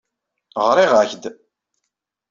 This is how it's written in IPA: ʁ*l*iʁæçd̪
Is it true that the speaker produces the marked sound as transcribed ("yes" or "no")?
no